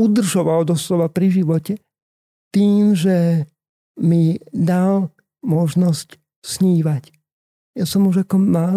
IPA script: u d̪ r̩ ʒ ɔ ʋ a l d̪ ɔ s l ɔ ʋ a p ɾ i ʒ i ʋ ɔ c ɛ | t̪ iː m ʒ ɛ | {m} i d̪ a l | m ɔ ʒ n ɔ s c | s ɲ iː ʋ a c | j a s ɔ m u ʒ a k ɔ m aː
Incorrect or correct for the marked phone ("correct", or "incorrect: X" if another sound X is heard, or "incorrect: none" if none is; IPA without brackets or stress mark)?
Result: correct